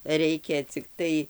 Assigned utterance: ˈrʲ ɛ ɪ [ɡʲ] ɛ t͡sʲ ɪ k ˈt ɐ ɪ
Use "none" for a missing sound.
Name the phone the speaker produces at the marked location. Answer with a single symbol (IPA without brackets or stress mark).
kʲ